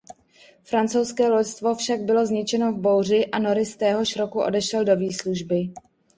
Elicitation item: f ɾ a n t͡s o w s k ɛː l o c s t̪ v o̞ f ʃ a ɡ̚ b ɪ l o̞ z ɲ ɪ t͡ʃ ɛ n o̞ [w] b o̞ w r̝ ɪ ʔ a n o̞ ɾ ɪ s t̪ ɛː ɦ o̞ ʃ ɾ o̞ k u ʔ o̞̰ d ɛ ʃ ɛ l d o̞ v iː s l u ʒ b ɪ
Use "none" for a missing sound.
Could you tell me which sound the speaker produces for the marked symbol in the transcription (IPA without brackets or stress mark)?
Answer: v